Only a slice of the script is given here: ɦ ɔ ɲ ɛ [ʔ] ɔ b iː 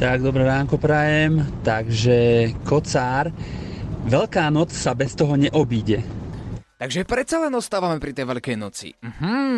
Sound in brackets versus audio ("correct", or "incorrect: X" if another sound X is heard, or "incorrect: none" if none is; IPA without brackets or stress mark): correct